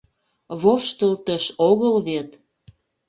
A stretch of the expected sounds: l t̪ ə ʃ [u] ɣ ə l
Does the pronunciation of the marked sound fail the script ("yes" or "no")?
yes